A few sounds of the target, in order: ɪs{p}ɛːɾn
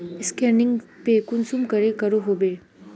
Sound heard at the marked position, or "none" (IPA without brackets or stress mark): k